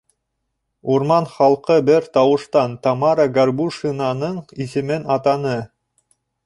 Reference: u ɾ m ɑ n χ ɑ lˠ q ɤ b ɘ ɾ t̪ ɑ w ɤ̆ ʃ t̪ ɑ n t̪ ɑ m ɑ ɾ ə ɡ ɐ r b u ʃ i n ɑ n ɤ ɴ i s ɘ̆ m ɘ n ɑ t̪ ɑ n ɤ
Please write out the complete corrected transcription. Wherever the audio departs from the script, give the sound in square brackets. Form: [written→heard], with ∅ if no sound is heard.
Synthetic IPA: u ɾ m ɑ n χ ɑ lˠ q ɤ b ɘ ɾ t̪ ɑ w ɤ̆ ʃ t̪ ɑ n t̪ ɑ m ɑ ɾ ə ɡ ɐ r b u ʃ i n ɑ n ɤ ɴ i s ɘ̆ m ɘ n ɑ t̪ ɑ n ɤ